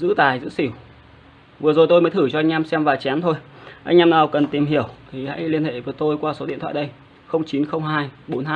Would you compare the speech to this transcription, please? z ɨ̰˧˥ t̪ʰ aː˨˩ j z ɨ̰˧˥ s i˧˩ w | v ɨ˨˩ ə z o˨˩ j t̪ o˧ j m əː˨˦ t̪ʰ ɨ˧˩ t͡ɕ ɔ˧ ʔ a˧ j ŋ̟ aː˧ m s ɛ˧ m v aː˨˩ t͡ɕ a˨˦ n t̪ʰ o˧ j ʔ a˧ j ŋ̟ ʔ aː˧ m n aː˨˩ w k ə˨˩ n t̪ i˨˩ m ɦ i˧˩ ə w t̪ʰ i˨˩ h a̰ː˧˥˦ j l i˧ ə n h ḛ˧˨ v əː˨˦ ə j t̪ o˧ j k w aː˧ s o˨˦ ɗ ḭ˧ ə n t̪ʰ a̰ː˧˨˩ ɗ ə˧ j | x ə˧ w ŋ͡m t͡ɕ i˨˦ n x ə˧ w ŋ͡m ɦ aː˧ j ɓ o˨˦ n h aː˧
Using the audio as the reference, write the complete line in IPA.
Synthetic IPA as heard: z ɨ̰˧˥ t̪ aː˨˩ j z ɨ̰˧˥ s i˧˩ w | v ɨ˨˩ ə z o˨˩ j t̪ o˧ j m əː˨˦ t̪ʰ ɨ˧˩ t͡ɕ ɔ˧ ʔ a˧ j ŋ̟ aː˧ m s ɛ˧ m v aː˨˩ t͡ɕ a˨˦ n t̪ʰ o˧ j ʔ a˧ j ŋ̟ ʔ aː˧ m n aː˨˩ w k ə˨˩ n t̪ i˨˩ m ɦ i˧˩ ə w t̪ʰ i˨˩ h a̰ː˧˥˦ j l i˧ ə n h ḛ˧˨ v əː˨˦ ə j t̪ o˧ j k w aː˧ s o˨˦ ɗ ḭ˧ ə n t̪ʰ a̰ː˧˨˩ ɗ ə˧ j | x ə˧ w ŋ͡m t͡ɕ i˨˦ n x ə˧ w ŋ͡m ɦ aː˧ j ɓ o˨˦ n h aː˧